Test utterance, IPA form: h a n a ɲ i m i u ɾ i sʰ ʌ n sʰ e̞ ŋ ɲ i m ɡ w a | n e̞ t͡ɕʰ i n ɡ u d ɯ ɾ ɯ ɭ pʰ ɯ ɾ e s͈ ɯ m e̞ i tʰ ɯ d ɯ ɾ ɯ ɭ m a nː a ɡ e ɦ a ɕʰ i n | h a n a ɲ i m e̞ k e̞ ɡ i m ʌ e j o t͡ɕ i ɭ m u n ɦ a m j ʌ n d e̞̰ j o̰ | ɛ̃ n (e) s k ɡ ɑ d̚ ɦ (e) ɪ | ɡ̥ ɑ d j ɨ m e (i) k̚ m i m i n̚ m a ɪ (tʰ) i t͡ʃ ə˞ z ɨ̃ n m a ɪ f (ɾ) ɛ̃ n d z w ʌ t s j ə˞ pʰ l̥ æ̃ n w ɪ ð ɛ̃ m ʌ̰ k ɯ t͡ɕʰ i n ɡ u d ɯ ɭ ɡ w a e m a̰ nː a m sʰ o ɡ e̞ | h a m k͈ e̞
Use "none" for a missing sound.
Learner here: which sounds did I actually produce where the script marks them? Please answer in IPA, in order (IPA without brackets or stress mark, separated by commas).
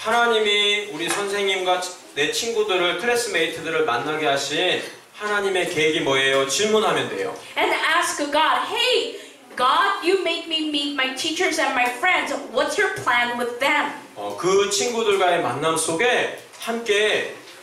æ, e, ɪ, tʰ, ɹ